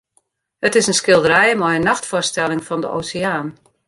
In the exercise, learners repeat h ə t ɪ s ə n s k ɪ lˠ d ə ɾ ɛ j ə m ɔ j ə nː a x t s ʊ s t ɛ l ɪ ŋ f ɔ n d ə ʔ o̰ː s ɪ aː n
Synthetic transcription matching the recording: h ə t ɪ s ə n s k ɪ lˠ d ə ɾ ɛ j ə m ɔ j ə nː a x t f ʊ s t ɛ l ɪ ŋ f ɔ n d ə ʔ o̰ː s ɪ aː n